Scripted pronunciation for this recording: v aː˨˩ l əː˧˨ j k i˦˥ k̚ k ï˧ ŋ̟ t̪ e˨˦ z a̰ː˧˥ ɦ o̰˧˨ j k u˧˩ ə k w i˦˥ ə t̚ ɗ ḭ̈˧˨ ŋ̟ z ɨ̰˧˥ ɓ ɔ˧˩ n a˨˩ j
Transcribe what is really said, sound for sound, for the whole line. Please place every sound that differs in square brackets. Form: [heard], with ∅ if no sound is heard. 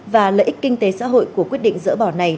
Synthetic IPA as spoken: v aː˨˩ l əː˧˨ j [ʔ] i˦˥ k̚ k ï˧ ŋ̟ t̪ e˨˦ [s] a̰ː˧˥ ɦ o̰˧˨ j k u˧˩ ə k w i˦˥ ə t̚ ɗ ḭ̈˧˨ ŋ̟ z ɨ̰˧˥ ɓ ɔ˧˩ n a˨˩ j